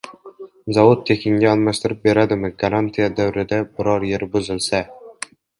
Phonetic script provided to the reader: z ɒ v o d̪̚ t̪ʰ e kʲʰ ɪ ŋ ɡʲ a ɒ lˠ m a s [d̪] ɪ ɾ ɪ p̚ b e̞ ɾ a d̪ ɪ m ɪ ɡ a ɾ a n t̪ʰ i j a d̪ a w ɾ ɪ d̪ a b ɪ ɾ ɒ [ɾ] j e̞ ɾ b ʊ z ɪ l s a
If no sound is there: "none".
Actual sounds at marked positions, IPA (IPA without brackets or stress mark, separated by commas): t̪, ɾ